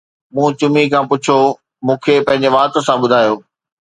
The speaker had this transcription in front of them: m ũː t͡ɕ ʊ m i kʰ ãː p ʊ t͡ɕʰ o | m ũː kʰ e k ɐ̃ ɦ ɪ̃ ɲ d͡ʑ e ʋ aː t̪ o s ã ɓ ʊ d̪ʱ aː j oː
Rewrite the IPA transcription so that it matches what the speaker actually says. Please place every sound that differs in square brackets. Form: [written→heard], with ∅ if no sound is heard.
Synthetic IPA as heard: m ũː t͡ɕ ʊ m i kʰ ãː p ʊ t͡ɕʰ o | m ũː kʰ e [k→p] ɐ̃ ɦ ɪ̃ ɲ d͡ʑ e ʋ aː t̪ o s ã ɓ ʊ d̪ʱ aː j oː